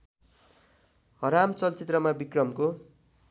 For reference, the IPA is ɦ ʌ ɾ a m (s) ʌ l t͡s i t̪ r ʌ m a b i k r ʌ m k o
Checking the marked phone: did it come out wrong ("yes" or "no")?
yes